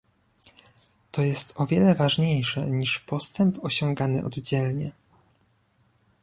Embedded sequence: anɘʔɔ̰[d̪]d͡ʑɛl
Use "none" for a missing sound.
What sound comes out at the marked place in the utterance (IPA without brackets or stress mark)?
d̪